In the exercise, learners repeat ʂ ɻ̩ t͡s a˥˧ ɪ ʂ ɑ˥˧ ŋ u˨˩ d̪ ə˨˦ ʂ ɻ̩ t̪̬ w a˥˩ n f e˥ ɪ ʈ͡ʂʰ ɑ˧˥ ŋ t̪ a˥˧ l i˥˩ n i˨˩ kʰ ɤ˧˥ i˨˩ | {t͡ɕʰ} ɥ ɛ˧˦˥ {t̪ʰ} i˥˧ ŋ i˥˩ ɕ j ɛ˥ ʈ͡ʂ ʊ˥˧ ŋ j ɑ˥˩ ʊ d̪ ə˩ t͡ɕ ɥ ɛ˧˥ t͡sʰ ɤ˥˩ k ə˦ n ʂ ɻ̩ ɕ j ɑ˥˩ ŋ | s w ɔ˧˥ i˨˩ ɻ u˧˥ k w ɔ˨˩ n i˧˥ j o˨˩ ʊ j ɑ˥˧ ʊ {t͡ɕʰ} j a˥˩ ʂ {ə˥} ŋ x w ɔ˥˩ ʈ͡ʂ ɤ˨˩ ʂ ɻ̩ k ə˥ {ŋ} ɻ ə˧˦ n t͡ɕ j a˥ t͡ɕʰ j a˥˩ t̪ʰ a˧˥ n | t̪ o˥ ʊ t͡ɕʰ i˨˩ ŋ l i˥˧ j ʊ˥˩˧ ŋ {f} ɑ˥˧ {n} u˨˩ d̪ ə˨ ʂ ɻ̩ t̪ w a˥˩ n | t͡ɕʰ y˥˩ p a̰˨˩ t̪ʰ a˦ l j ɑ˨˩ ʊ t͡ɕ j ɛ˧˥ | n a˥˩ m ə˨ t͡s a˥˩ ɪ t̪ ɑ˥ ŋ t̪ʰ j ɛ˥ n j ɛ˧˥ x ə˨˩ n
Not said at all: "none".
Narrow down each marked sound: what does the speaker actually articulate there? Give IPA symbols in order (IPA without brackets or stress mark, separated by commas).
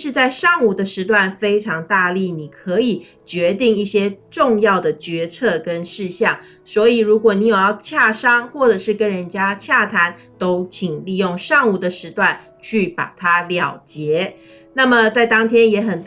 t͡ɕ, t̪, t͡ɕʰ, ɑ˥, n, ʂ, ŋ